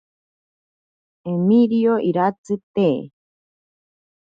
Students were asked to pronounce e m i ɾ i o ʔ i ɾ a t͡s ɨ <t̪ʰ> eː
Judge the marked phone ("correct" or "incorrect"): incorrect